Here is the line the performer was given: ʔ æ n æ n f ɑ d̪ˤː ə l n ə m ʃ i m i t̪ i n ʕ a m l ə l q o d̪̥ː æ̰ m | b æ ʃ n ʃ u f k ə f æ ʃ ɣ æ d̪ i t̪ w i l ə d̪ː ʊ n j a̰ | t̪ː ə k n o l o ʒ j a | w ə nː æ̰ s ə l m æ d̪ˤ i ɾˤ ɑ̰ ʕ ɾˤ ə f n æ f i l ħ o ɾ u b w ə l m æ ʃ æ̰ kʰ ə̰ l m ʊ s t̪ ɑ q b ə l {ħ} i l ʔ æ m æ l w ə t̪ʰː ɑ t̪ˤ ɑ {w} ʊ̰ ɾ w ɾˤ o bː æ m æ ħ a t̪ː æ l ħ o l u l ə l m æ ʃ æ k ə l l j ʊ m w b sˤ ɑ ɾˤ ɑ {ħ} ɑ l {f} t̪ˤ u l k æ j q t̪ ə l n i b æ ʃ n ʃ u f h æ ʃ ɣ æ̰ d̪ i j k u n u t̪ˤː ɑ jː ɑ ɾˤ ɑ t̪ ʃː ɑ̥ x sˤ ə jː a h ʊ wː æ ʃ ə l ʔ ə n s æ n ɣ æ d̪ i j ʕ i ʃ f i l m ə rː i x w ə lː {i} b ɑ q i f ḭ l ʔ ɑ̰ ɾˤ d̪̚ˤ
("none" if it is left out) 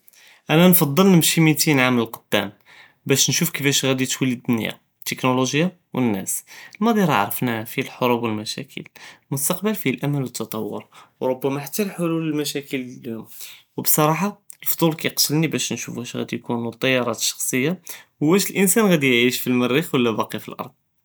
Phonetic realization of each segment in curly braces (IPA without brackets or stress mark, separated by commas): f, wː, ħ, f, æ